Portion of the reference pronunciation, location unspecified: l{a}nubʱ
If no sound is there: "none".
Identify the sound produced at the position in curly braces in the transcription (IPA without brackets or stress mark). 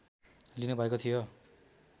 i